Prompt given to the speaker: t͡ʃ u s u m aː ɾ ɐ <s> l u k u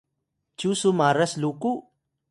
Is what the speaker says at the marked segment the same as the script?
yes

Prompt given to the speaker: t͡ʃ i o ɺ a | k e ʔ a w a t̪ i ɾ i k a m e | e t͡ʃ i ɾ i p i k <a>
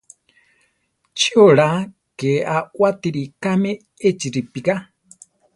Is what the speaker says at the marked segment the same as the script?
yes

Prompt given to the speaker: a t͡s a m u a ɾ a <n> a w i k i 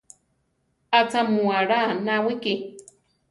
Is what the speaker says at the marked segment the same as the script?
yes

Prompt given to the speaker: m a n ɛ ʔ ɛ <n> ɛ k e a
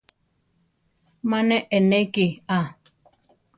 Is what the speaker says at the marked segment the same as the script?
yes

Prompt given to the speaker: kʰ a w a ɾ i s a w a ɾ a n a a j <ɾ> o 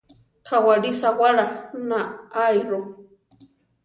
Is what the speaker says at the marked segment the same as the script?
yes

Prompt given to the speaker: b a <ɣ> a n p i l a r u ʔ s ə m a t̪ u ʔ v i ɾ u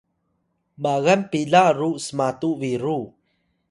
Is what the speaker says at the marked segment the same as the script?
yes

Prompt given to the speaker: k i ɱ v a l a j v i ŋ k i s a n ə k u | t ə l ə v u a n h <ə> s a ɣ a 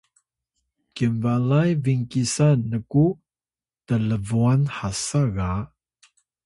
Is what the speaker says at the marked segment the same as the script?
no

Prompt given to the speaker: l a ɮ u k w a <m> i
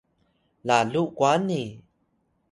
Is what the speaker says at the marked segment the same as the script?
no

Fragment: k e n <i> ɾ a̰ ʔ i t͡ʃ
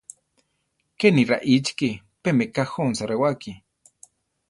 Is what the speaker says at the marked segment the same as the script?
yes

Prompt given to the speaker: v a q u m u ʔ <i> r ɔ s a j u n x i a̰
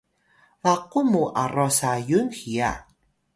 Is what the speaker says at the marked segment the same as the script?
no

